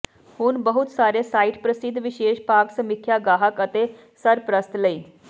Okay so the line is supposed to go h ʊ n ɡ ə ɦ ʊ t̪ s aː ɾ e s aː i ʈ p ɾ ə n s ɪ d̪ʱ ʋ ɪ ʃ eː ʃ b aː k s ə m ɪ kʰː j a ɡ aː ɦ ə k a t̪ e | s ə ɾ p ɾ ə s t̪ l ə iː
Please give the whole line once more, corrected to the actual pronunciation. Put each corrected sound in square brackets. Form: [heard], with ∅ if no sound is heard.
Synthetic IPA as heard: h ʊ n [b] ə ɦ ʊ t̪ s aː ɾ e s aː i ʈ p ɾ ə [∅] s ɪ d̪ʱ ʋ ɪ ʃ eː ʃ [p] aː k s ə m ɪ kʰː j a ɡ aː ɦ ə k [ə] t̪ e | s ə ɾ p ɾ ə s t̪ l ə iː